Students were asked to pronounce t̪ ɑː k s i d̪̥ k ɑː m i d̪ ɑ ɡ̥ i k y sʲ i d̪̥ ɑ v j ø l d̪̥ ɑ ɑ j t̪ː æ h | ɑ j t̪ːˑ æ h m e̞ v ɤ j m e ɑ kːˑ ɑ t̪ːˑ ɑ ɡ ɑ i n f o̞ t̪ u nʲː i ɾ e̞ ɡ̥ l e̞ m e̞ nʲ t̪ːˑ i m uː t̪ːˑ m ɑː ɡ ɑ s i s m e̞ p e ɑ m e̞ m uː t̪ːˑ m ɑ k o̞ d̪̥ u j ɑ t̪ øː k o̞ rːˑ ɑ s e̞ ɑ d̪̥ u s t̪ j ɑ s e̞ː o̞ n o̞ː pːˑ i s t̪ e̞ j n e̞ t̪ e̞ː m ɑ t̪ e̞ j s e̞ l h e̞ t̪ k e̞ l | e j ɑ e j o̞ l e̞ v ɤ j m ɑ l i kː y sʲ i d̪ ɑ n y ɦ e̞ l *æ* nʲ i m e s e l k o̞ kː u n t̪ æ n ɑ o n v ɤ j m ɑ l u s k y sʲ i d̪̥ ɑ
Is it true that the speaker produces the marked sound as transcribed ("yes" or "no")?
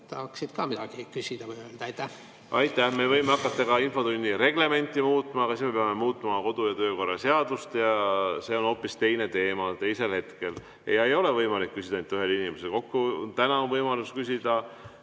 no